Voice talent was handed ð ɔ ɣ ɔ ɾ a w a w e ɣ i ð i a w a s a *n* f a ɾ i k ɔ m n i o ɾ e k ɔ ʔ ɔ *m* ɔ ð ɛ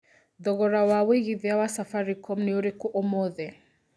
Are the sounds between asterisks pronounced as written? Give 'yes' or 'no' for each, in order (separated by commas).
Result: no, yes